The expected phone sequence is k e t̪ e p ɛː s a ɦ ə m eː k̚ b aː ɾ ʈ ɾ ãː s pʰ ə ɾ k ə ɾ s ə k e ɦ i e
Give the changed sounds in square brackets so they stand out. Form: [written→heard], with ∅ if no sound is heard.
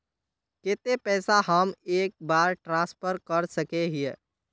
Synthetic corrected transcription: k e t̪ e p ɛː s a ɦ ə m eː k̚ b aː ɾ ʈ ɾ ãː s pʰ ə ɾ k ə ɾ s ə k e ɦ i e

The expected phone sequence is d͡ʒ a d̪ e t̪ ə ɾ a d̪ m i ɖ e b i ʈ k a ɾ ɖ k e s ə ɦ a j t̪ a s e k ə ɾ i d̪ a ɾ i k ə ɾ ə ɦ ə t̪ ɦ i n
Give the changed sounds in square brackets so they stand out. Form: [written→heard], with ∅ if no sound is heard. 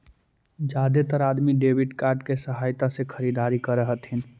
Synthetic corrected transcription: d͡ʒ a d̪ e t̪ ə ɾ a d̪ m i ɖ e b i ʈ k a ɾ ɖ k e s ə ɦ a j t̪ a s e [k→kʰ] ə ɾ i d̪ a ɾ i k ə ɾ ə ɦ ə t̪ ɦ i n

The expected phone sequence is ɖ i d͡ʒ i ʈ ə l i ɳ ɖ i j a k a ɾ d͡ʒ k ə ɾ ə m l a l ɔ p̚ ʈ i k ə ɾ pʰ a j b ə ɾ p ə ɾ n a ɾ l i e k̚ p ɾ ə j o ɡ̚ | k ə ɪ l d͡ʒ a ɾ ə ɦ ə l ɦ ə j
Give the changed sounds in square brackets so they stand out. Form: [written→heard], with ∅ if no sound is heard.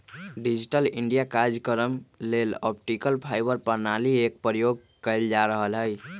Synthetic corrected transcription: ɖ i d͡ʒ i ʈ ə l i ɳ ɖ i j a k a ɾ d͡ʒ k ə ɾ ə m l [a→e] l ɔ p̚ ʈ i k ə [ɾ→l] pʰ a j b ə ɾ p ə ɾ n a [ɾ→∅] l i e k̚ p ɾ ə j o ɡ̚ | k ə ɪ l d͡ʒ a ɾ ə ɦ ə l ɦ ə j

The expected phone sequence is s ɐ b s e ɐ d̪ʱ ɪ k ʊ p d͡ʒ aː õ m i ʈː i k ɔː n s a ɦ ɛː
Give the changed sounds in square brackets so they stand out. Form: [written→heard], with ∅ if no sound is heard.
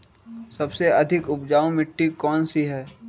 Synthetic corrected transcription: s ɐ b s e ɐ d̪ʱ ɪ k ʊ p d͡ʒ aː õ m [i→ɪ] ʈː i k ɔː n s [a→i] ɦ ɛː

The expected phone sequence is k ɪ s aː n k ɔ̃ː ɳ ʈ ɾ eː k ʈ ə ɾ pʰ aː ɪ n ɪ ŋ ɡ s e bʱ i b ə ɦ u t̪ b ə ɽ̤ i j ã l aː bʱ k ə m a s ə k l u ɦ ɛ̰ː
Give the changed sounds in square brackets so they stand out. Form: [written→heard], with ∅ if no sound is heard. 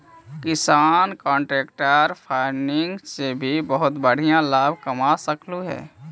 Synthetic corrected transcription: k ɪ s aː n k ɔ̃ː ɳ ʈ ɾ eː k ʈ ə ɾ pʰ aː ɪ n ɪ ŋ ɡ s e bʱ i b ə ɦ [u→ʊ] t̪ b ə ɽ̤ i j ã l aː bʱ k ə m a s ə k l u ɦ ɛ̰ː

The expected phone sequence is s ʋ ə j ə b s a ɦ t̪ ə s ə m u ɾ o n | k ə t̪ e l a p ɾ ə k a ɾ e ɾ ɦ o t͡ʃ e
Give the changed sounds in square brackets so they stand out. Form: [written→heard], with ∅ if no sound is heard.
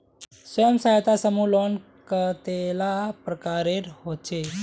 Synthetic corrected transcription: s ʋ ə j ə [b→m] s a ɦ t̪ [ə→a] s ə m u [ɾ→l] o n | k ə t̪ e l a p ɾ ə k a ɾ e ɾ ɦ o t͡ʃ e

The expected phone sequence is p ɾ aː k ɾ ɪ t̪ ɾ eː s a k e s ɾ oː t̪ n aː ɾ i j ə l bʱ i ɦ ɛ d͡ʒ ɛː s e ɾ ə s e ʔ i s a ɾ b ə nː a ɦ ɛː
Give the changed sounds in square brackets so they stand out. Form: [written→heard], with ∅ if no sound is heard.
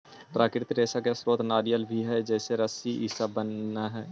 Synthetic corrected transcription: p ɾ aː k ɾ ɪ t̪ ɾ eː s a k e s ɾ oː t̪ n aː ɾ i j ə l bʱ i ɦ ɛ d͡ʒ ɛː s e ɾ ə s [e→i] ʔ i s a [ɾ→∅] b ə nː a ɦ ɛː

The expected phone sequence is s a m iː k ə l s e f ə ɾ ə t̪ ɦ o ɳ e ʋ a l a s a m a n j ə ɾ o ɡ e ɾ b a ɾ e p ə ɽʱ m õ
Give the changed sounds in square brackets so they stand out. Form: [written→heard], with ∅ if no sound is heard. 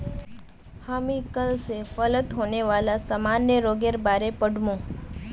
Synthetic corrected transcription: [s→h] a m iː k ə l s e f ə [ɾ→l] ə t̪ ɦ o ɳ e ʋ a l a s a m a n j ə ɾ o ɡ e ɾ b a ɾ e p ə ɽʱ m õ

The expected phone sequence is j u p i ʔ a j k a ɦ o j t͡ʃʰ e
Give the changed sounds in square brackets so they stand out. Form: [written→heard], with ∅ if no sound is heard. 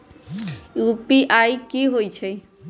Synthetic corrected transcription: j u p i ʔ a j k [a→i] ɦ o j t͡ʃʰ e

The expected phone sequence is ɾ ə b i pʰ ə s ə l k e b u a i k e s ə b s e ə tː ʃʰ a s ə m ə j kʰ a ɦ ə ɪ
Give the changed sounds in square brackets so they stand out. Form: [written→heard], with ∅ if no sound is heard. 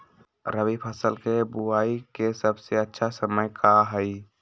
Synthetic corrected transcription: ɾ ə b i pʰ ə s ə l k e b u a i k e s ə b s e ə tː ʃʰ a s ə m ə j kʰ a ɦ ə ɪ

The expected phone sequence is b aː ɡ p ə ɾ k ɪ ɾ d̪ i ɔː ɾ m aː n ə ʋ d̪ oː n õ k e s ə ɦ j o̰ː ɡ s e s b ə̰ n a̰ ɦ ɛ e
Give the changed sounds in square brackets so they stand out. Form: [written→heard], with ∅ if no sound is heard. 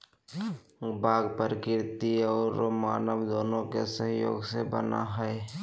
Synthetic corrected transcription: b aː ɡ p ə ɾ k ɪ ɾ [d̪→t̪] i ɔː ɾ m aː n ə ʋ d̪ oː n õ k e s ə ɦ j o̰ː ɡ s e [s→∅] b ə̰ n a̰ ɦ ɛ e

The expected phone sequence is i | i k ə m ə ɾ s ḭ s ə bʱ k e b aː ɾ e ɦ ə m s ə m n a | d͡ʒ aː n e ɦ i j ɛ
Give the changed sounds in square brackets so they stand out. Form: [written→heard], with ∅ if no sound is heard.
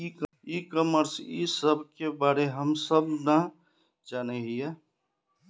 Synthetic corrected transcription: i | i k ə m ə ɾ s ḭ s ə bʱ k e b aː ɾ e ɦ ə m s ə [m→b] n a | d͡ʒ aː n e ɦ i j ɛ

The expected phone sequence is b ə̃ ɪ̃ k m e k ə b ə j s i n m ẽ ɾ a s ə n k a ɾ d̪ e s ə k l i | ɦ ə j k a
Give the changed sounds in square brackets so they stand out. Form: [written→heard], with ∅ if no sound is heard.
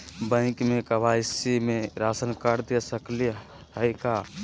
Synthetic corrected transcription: b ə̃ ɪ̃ k m e k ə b [ə→a] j s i [n→∅] m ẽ ɾ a s ə n k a ɾ d̪ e s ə k l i | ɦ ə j k a

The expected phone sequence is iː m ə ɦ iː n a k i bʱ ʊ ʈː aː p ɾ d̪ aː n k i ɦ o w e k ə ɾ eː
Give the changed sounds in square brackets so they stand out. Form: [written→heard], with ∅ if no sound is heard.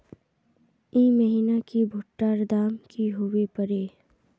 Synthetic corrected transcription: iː m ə ɦ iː n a k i bʱ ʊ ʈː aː [p→∅] ɾ d̪ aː [n→m] k i ɦ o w e [k→p] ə ɾ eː

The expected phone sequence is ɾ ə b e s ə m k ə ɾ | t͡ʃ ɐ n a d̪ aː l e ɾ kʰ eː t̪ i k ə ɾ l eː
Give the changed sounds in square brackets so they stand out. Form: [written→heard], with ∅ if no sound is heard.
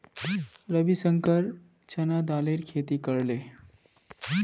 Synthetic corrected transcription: ɾ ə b [e→i] s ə [m→ŋ] k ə ɾ | t͡ʃ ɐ n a d̪ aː l e ɾ kʰ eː t̪ i k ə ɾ l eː

